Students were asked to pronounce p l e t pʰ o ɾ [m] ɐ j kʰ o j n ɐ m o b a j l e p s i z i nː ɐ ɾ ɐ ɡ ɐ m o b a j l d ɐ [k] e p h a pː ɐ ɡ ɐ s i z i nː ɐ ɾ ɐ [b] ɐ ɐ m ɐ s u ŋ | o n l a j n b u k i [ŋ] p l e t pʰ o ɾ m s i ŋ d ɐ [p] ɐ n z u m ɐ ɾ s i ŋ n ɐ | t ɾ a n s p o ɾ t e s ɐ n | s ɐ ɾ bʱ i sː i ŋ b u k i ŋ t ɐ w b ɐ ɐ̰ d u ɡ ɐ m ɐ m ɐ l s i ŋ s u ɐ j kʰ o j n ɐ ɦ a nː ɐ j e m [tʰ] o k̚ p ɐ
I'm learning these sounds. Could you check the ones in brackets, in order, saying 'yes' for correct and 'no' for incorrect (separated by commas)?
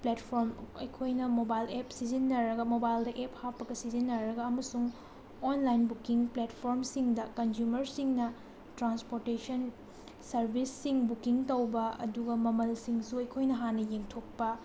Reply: yes, no, no, yes, no, yes